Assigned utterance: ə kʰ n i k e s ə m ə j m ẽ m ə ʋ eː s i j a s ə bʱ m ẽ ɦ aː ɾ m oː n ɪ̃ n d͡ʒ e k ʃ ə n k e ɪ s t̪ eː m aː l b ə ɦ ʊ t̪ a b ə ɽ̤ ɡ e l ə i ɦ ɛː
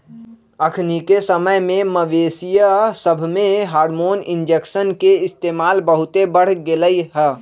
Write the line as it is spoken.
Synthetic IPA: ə kʰ n i k e s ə m ə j m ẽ m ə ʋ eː s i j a s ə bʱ m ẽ ɦ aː ɾ m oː n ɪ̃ n d͡ʒ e k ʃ ə n k e ɪ s t̪ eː m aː l b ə ɦ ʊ t̪ e b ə ɽ̤ ɡ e l ə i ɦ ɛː